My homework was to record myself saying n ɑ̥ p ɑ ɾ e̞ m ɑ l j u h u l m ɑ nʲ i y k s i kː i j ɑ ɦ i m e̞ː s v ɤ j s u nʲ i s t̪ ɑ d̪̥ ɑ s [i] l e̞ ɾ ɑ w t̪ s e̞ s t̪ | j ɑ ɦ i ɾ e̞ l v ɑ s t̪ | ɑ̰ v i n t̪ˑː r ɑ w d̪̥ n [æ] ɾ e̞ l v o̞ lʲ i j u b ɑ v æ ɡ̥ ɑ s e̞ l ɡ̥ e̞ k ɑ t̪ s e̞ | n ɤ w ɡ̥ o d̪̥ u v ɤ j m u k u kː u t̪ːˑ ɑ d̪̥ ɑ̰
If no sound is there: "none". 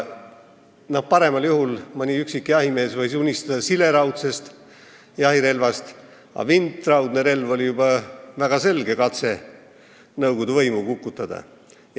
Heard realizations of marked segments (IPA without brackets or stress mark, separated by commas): i, e